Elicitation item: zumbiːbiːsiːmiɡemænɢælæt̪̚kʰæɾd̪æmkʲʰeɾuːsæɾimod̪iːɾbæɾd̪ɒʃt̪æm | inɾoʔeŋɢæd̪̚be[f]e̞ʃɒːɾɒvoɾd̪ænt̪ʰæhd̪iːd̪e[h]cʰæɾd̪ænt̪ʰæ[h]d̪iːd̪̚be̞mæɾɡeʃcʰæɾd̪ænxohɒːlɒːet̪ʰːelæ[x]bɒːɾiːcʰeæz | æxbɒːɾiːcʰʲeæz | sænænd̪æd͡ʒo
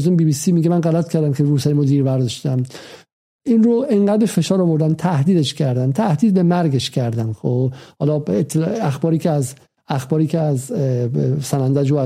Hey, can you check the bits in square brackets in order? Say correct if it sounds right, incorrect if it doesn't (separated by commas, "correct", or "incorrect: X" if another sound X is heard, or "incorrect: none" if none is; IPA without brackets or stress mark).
correct, incorrect: ʃ, correct, correct